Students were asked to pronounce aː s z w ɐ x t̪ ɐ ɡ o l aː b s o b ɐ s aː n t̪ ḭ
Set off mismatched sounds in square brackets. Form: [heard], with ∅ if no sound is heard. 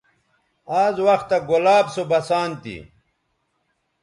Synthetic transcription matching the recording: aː [∅] z w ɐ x t̪ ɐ ɡ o l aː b s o b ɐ s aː n t̪ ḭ